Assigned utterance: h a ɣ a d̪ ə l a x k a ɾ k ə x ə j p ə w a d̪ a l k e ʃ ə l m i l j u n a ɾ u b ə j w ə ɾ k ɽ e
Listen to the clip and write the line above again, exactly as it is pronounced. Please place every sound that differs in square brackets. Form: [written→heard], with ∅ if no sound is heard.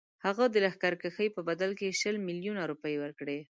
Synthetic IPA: h a ɣ a d̪ ə l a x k a ɾ k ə x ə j p ə [w→b] a d̪ a l k e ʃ ə l m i l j u n a ɾ u [b→p] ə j w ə ɾ k ɽ e